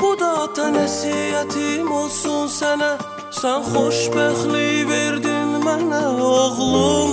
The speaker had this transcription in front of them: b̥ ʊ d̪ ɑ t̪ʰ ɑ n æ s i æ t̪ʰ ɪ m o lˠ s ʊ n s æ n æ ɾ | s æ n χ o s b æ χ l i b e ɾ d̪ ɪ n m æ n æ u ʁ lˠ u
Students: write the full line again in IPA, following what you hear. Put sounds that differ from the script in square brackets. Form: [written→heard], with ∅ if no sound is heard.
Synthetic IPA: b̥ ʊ d̪ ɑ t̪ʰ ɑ n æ s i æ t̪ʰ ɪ m o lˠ s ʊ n s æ n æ [ɾ→∅] | s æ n χ o [s→ʃ] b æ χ l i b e ɾ d̪ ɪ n m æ n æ [u→o] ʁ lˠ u